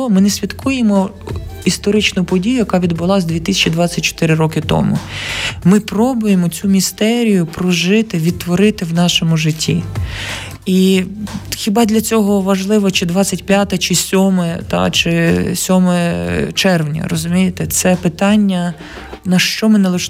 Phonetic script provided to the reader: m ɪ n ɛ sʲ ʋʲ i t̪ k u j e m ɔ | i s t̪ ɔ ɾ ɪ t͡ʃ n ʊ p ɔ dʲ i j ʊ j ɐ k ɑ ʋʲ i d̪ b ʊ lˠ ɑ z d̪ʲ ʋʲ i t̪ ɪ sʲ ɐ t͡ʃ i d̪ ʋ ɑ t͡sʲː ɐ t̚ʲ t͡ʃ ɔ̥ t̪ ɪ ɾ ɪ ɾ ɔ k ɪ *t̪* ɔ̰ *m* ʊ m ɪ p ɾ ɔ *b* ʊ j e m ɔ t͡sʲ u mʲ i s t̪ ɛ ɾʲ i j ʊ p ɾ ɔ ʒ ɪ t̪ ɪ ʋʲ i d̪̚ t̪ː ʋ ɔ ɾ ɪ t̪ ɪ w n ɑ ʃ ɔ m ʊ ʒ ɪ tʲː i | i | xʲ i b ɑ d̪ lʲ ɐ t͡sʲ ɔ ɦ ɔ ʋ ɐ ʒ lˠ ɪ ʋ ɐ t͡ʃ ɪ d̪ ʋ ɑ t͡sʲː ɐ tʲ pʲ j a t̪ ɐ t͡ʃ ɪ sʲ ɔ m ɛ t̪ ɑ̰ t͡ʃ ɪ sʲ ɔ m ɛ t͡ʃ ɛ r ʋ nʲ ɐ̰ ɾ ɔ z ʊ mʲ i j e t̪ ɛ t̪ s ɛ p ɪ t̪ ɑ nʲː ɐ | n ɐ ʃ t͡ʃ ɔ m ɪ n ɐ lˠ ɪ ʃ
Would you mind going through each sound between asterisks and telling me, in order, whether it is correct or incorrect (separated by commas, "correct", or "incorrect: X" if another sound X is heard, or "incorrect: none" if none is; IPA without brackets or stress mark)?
correct, correct, correct